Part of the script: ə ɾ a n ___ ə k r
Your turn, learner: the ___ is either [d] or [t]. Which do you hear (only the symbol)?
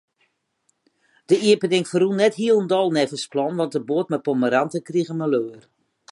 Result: t